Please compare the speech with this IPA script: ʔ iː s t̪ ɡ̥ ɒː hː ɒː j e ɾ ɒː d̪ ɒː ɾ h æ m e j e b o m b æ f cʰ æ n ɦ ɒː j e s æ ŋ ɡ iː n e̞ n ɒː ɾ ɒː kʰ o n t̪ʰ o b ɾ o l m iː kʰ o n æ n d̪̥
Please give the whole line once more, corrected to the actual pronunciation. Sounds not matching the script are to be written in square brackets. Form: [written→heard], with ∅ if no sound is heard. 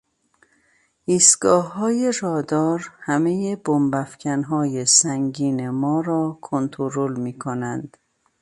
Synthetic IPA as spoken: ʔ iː s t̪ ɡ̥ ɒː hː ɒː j e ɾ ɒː d̪ ɒː ɾ h æ m e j e b o m b æ f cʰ æ n ɦ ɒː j e s æ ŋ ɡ iː n e̞ [n→m] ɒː ɾ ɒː kʰ o n t̪ʰ o [b→∅] ɾ o l m iː kʰ o n æ n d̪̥